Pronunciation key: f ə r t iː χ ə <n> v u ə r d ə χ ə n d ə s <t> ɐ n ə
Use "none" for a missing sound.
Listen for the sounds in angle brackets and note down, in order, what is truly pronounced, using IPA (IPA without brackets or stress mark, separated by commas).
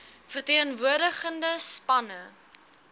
n, p